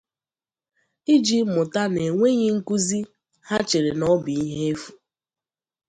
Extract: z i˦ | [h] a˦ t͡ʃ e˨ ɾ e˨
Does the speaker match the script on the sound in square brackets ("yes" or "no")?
yes